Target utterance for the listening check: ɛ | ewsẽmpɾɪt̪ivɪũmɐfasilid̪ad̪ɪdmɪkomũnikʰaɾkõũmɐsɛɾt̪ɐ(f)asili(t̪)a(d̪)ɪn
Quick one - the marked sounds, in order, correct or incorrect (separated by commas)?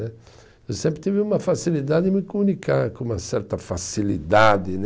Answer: correct, incorrect, correct